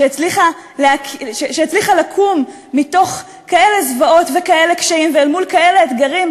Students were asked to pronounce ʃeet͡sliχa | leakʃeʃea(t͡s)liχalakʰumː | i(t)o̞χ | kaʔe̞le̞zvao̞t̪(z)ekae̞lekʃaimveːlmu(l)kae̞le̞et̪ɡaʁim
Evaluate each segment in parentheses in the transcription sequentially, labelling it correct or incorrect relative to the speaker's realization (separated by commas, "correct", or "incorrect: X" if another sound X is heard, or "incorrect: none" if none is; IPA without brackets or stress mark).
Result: correct, correct, incorrect: v, correct